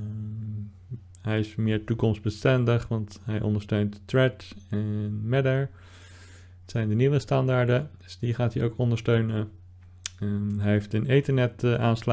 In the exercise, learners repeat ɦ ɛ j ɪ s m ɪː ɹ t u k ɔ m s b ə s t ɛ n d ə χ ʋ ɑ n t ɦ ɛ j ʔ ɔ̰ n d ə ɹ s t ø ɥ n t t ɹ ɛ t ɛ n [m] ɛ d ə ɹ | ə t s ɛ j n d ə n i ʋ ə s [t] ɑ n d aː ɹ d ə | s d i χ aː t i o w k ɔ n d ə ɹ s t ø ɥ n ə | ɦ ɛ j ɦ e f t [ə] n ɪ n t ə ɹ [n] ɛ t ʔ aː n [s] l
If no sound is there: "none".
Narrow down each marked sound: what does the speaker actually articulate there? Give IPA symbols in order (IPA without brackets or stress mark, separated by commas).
m, t, ə, n, s